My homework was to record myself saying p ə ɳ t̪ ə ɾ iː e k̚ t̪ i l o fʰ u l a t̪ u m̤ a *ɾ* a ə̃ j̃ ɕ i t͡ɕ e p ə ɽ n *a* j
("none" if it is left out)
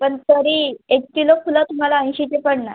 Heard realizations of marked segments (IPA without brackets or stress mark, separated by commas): l, a